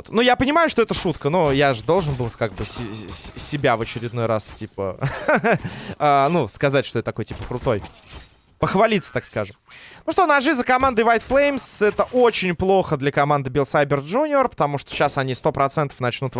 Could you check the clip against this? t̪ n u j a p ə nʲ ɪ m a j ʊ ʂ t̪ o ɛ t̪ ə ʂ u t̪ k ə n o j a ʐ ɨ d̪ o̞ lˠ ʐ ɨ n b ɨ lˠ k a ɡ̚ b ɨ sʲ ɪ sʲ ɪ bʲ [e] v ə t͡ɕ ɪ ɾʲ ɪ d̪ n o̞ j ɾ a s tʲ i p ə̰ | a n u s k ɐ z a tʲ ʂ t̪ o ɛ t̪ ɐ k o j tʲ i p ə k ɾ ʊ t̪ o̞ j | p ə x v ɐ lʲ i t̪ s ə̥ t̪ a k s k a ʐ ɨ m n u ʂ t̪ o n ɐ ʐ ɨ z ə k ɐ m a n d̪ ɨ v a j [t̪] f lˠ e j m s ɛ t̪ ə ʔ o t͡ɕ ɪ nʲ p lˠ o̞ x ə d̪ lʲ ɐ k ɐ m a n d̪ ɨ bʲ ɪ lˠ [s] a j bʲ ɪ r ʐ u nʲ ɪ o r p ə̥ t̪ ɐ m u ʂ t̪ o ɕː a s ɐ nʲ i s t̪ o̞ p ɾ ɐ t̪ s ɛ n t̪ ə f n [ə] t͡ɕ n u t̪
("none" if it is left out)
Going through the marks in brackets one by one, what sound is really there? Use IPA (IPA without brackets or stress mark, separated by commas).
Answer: a, t̪, s, ɐ